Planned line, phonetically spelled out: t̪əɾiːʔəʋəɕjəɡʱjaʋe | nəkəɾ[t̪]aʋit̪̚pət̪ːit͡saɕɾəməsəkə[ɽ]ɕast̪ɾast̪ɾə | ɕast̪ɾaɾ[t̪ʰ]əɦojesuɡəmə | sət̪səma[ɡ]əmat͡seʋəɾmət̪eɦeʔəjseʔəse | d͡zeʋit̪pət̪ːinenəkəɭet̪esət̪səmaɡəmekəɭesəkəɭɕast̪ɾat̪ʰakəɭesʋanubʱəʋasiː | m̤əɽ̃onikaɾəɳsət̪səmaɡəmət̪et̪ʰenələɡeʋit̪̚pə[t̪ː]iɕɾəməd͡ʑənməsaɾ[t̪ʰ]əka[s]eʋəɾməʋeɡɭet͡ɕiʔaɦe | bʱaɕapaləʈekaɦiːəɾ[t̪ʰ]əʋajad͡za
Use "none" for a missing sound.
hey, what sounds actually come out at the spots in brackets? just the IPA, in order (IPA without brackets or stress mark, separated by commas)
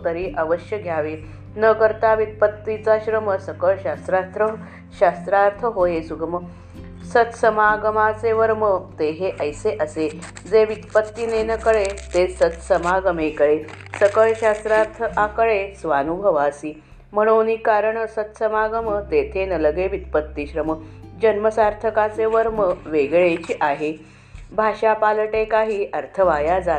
t̪, ɭ, t̪ʰ, ɡ, t̪ː, t̪ʰ, t͡s, t̪ʰ